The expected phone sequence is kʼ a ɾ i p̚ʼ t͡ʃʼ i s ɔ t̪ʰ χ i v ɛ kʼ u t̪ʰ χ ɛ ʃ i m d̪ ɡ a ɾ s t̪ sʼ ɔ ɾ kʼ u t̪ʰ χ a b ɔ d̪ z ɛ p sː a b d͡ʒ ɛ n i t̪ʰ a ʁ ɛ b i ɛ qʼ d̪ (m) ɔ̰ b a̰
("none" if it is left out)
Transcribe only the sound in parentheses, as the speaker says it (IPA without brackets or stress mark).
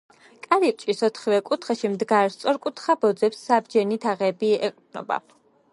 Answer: n